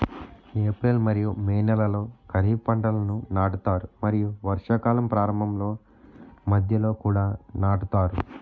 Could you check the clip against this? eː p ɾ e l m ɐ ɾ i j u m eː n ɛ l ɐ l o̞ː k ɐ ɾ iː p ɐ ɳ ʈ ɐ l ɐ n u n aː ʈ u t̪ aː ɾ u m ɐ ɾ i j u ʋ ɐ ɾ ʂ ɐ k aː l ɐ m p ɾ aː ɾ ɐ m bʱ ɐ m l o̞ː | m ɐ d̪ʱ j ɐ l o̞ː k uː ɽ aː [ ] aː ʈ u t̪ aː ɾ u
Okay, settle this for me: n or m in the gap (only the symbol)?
n